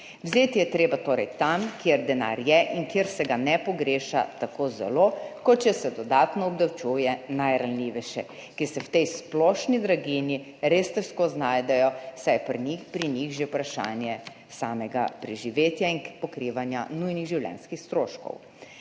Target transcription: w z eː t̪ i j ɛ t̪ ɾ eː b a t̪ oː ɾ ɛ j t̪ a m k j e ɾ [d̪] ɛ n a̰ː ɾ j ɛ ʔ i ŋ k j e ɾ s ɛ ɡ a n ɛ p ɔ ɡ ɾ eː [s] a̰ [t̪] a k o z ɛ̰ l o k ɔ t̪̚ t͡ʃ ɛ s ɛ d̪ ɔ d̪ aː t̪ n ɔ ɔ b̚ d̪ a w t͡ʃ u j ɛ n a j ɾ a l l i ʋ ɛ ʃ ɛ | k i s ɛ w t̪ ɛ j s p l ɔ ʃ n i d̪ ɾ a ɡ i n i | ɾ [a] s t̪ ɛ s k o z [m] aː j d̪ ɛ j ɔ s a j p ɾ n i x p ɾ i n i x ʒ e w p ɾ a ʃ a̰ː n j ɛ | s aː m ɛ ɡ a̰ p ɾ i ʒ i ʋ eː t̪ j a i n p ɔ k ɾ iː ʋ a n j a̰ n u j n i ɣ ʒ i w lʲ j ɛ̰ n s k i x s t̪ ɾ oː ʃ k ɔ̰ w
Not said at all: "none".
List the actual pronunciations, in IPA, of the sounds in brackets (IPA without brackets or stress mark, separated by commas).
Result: d̪, ʃ, t̪, e, n